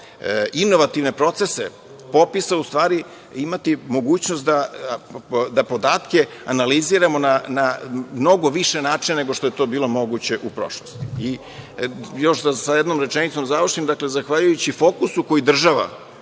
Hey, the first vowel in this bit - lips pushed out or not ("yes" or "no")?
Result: no